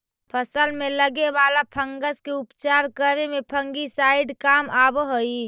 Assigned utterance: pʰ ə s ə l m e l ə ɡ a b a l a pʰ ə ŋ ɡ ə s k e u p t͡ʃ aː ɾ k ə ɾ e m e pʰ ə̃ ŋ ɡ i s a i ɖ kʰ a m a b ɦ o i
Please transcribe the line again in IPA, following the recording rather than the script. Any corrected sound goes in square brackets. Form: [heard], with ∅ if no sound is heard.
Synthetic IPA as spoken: pʰ ə s ə l m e l ə ɡ [e] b a l a pʰ ə ŋ ɡ ə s k e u p t͡ʃ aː ɾ k ə ɾ e m e pʰ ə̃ ŋ ɡ i s a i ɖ [k] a m a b ɦ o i